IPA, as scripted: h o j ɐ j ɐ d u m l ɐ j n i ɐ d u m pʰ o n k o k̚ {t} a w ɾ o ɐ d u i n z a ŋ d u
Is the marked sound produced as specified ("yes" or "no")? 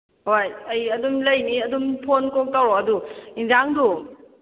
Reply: yes